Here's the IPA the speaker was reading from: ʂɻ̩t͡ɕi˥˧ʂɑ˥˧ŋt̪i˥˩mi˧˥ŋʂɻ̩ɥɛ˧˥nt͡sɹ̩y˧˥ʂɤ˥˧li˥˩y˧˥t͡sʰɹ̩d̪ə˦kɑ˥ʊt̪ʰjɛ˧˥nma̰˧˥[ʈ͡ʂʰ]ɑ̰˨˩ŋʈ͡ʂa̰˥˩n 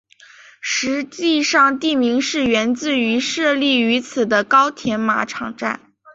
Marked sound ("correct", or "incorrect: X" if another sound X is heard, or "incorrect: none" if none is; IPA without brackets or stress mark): correct